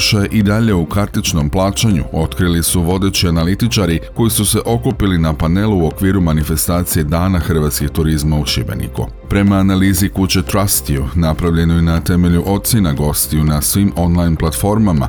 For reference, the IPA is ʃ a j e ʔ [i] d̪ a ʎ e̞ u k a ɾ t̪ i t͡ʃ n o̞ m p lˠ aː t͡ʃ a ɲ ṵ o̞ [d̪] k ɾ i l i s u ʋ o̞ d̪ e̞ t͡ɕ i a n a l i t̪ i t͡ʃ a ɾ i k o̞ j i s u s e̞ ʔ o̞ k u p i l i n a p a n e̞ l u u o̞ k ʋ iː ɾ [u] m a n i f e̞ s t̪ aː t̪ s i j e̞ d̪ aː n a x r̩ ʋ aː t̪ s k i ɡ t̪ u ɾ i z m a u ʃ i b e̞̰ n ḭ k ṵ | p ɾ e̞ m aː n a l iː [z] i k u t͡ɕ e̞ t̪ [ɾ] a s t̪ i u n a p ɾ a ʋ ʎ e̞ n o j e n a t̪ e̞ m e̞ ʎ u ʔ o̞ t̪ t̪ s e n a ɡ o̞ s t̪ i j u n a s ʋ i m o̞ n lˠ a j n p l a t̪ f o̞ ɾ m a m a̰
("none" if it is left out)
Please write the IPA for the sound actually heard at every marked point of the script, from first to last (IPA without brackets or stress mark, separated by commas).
i, t̪, u, z, ɾ